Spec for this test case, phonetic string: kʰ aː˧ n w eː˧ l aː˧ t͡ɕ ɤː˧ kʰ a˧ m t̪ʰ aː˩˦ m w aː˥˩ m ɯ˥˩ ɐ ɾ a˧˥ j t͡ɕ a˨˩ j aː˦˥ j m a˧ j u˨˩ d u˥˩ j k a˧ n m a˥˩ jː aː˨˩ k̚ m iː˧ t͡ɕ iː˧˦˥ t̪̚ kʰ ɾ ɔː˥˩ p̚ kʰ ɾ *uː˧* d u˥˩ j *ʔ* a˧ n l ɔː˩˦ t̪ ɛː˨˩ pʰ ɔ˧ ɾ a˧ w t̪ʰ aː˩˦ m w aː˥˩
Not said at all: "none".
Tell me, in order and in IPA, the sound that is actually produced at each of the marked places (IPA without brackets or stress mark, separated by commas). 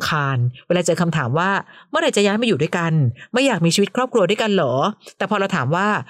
u˧, k